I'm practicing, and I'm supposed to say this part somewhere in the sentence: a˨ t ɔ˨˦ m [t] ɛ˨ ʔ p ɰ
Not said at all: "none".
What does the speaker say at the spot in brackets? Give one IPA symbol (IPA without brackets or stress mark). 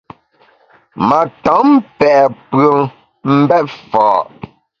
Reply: p